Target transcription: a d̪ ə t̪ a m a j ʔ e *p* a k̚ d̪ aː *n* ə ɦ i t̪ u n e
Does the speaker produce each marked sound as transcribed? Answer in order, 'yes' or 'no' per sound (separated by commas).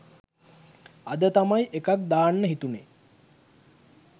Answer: no, no